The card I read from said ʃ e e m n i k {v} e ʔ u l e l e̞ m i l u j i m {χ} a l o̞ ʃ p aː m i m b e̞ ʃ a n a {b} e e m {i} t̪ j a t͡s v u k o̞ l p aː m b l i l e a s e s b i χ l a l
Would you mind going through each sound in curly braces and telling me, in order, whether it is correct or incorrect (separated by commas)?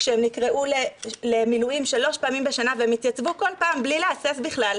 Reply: incorrect, incorrect, incorrect, correct